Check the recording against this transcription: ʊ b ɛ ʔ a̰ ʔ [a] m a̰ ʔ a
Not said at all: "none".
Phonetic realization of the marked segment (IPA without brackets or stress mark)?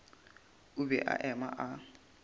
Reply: ɛ